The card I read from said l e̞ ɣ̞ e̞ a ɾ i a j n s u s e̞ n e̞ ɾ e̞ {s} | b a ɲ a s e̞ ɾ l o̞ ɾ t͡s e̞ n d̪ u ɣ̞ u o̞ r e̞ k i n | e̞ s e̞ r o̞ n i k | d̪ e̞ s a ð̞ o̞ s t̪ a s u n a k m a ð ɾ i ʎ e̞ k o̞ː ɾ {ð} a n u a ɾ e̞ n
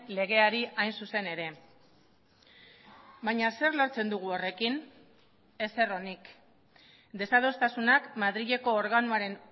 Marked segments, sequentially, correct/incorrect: incorrect: none, incorrect: ɣ

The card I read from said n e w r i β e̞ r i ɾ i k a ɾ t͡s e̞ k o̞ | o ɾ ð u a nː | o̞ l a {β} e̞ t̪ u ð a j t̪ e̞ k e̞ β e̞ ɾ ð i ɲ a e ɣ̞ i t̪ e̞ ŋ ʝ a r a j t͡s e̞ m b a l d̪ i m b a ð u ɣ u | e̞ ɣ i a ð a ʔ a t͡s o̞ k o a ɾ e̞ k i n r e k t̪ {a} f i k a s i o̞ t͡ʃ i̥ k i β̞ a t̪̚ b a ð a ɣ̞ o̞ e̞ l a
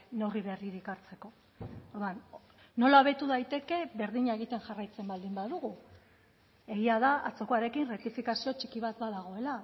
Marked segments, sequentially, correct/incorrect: correct, incorrect: i

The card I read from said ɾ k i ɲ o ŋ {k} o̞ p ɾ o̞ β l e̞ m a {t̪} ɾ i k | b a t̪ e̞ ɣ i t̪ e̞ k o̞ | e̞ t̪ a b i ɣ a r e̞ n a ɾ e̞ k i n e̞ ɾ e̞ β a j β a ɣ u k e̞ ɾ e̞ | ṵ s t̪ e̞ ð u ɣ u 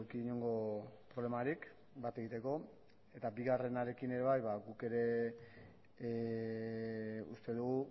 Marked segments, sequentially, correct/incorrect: incorrect: ɡ, incorrect: none

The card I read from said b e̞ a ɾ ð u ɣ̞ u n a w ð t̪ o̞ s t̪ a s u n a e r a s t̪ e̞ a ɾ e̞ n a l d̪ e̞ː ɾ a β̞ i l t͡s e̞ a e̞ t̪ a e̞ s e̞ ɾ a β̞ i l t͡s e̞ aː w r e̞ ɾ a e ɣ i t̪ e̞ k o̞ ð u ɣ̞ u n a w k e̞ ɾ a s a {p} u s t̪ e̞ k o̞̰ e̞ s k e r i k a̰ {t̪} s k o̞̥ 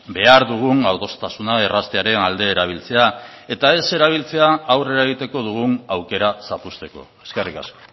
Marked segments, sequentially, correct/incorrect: correct, incorrect: none

